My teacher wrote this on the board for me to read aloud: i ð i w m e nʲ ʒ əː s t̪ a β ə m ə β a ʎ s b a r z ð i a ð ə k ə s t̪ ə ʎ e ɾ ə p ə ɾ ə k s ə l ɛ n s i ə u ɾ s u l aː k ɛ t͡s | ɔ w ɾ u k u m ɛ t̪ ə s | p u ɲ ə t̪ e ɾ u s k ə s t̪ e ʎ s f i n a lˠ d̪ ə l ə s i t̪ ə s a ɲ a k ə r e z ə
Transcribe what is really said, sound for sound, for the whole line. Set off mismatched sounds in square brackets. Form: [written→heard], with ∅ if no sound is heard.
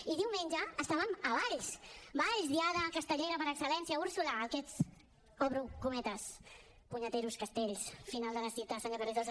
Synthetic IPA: i ð i w m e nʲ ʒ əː s t̪ a β ə m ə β a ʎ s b a [r→ʎ] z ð i a ð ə k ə s t̪ ə ʎ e ɾ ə p ə ɾ ə k s ə l ɛ n s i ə u ɾ s u l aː k ɛ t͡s | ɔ [w→β] ɾ u k u m ɛ t̪ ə s | p u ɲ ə t̪ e ɾ u s k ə s t̪ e ʎ s f i n a lˠ d̪ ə l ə s i t̪ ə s a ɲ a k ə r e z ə

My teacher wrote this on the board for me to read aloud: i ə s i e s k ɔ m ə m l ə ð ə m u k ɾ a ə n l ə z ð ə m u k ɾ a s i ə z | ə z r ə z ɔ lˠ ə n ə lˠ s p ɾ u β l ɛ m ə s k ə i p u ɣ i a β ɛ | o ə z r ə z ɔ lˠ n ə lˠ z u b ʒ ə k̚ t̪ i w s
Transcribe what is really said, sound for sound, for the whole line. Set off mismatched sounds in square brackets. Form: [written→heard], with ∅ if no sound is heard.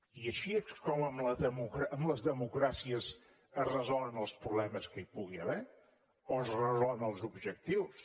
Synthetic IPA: i ə [s→ʃ] i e s k ɔ m ə m l ə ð ə m u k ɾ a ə [n→m] l ə z ð ə m u k ɾ a s i ə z | ə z r ə z ɔ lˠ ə n ə lˠ s p ɾ u β l ɛ m ə s k ə i p u ɣ i [a→ə] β ɛ | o ə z r ə z ɔ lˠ n ə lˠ z u b ʒ ə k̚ t̪ i w s

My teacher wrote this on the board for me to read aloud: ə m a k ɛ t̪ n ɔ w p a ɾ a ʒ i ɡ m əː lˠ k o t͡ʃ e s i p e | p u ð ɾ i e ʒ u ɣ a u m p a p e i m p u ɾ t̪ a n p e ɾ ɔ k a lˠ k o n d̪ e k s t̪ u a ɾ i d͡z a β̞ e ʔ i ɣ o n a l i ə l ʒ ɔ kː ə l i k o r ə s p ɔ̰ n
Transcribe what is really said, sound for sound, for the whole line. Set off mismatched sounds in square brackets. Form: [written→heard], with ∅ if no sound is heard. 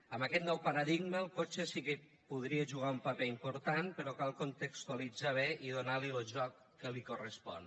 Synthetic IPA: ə m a k ɛ t̪ n ɔ w p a ɾ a [ʒ→ð] i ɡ m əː lˠ k o t͡ʃ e s i [p→k] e | p u ð ɾ i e ʒ u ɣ a u m p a p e i m p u ɾ t̪ a n p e ɾ ɔ k a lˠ k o n [d̪→t̪] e k s t̪ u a [ɾ→l] i d͡z a β̞ e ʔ i [ɣ→ð] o n a l i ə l ʒ ɔ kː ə l i k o r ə s p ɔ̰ n

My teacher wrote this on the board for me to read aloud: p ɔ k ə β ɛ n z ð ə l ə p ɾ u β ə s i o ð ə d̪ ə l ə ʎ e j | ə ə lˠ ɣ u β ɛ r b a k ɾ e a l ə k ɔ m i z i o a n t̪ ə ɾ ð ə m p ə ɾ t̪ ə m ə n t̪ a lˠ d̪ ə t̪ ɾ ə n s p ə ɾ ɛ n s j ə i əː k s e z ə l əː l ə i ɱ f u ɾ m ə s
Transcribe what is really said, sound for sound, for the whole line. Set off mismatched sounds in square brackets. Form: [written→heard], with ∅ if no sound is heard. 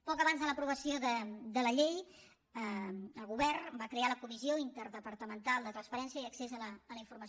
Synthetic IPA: p ɔ k ə β [ɛ→a] n z ð ə l ə p ɾ u β ə s i o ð ə d̪ ə l ə ʎ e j | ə ə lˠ ɣ u β ɛ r b a k ɾ e a l ə k [ɔ→u] m i z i o [a→i] n t̪ ə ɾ ð ə [m→∅] p ə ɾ t̪ ə m ə n t̪ a lˠ d̪ ə t̪ ɾ ə n s p ə ɾ ɛ n s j ə i [əː→ə] k s e z ə l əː l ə i ɱ f u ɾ m ə s

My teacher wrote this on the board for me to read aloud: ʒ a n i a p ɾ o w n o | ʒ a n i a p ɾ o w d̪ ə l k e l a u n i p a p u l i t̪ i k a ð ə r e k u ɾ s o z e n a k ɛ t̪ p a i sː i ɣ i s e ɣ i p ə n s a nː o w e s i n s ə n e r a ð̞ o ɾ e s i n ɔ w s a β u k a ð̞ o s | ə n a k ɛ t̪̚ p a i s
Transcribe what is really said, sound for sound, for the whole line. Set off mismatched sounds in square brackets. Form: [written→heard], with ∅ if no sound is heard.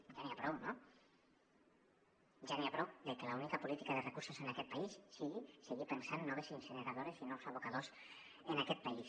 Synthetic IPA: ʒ a n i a p ɾ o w n o | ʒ a n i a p ɾ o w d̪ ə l k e l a u n i [p→k] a p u l i t̪ i k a ð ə r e k u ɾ s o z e n a k ɛ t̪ p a i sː i ɣ i s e ɣ i p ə n s a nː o [w→β] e s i n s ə n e [r→ɾ] a ð̞ o ɾ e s i n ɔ w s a β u k a ð̞ o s | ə n a k ɛ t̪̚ p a i s

